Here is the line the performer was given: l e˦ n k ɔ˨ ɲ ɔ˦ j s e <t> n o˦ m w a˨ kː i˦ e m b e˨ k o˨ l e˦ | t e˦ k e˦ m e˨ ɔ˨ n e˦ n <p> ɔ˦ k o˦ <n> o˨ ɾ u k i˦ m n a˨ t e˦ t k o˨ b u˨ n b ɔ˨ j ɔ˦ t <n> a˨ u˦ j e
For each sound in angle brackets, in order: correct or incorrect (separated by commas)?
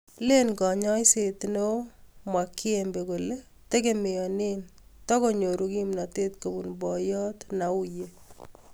correct, incorrect, incorrect, correct